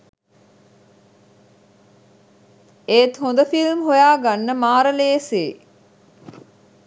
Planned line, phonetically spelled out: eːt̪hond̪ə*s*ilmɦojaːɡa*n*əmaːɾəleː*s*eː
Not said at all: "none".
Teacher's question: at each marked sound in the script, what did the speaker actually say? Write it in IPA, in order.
f, nː, s

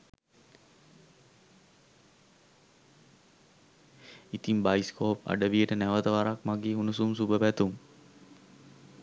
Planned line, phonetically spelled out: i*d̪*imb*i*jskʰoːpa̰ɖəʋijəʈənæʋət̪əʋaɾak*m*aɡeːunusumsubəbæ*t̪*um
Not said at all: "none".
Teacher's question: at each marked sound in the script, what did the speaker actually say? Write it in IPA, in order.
t̪, a, m, t̪

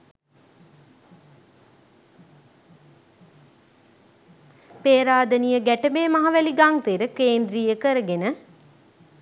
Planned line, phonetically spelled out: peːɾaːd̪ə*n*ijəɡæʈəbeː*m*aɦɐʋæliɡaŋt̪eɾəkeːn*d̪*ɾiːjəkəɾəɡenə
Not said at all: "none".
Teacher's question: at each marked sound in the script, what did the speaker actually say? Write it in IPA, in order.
n, m, d̪

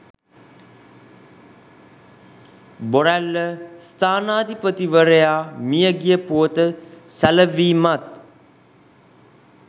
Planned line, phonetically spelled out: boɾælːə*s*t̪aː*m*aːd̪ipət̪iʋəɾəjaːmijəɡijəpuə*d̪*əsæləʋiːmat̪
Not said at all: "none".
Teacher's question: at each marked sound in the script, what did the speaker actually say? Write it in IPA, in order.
s, n, t̪

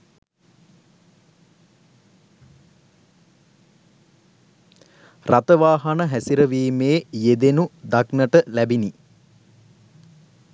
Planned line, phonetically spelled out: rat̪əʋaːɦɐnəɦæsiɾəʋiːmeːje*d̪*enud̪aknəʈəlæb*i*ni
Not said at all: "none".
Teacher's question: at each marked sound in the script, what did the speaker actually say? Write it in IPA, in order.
d̪, i

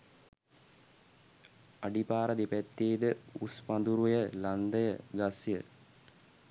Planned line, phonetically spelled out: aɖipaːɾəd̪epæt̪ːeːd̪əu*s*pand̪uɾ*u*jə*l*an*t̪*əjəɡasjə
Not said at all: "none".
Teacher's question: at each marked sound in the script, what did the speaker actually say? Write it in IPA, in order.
s, u, l, d̪

